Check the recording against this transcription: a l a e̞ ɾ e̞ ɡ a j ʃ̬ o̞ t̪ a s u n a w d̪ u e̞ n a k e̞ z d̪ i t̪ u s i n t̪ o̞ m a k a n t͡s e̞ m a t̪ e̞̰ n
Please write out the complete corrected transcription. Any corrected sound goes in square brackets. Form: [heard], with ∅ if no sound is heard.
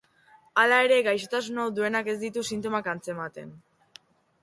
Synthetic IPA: a l a e̞ ɾ e̞ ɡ a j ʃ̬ o̞ t̪ a s u n a w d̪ u e̞ n a k e̞ z d̪ i t̪ u s i n t̪ o̞ m a k a n t͡s e̞ m a t̪ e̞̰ n